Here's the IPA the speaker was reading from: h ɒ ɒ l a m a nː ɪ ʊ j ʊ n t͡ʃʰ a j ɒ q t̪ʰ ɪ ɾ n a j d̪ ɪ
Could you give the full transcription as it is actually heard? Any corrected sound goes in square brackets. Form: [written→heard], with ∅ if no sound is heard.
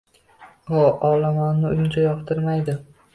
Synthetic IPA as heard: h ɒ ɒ l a m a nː ɪ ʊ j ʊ n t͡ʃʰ a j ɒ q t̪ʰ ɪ ɾ [n→m] a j d̪ ɪ